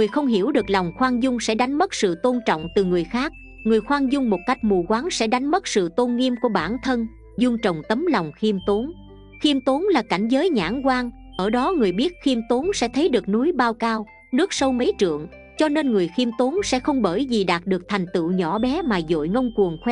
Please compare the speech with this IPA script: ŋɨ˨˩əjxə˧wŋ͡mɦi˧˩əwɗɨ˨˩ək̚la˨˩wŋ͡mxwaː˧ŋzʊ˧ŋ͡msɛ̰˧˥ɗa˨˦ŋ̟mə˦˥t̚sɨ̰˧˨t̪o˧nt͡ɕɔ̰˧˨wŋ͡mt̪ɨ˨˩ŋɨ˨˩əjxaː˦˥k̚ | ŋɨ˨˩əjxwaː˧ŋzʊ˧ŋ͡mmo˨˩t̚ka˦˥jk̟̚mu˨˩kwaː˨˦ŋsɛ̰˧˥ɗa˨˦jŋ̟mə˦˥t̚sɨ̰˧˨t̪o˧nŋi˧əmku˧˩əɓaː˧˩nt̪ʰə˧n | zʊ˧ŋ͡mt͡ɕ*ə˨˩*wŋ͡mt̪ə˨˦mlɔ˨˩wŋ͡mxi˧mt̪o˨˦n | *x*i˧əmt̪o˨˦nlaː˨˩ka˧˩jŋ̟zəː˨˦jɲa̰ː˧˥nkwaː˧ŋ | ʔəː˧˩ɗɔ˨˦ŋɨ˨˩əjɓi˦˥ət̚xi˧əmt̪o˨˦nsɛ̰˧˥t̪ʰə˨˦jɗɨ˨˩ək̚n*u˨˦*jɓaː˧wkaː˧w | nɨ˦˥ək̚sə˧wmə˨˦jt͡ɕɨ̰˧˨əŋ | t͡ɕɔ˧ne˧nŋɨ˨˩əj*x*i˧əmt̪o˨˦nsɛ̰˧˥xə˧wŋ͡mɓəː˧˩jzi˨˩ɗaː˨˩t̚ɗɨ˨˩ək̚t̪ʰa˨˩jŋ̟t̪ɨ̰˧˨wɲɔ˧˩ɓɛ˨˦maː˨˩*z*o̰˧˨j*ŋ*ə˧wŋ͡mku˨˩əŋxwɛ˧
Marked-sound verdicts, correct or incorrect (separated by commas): correct, correct, correct, correct, correct, correct